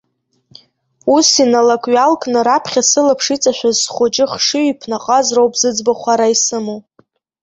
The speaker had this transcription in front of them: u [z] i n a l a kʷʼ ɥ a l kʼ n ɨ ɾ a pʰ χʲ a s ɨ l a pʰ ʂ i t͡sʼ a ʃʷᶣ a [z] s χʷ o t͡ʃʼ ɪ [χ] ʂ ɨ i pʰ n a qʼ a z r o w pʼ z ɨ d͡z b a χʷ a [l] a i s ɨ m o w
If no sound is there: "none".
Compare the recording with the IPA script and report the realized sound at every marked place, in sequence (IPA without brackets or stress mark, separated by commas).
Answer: s, z, χ, ɾ